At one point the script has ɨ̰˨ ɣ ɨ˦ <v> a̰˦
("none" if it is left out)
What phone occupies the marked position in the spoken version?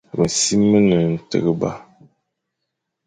b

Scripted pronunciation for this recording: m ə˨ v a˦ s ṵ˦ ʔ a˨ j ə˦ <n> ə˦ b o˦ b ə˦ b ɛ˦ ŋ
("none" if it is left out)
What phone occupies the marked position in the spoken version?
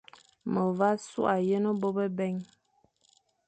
n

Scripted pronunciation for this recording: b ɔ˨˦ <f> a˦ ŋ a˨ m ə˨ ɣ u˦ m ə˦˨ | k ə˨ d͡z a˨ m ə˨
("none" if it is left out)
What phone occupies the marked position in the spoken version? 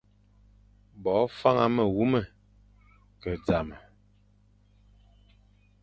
f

